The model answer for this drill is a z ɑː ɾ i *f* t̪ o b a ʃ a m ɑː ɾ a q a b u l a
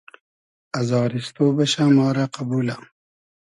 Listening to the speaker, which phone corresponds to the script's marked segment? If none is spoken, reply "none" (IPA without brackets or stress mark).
s